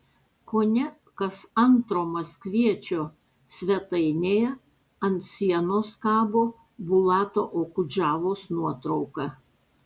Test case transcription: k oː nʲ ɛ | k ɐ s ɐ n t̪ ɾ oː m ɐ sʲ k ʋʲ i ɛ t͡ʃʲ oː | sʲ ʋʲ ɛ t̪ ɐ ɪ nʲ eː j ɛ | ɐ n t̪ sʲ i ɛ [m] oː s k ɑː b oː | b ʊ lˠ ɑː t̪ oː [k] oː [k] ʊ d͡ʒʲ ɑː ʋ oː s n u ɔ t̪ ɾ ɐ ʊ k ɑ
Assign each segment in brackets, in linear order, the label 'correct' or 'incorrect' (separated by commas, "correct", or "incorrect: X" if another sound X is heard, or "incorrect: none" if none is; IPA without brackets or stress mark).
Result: incorrect: n, incorrect: ʔ, correct